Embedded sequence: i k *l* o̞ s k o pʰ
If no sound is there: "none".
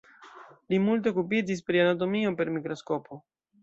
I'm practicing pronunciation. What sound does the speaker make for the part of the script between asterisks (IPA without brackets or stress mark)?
ɾ